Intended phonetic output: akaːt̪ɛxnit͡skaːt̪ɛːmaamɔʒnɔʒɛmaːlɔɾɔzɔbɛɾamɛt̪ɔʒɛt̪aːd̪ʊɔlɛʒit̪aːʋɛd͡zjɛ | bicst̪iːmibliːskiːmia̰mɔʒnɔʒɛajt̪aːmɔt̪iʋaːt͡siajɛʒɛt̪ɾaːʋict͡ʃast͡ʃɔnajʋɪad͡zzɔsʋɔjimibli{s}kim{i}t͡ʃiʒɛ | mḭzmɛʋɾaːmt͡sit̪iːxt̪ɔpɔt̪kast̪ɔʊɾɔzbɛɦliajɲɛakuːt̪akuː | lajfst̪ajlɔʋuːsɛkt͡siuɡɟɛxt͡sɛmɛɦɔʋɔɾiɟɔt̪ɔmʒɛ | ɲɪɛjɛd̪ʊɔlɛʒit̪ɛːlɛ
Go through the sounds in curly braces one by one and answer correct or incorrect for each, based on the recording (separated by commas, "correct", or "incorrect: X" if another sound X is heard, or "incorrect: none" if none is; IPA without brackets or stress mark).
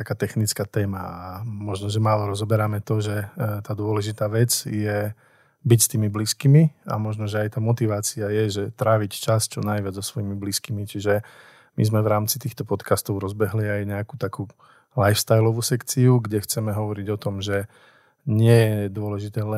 correct, correct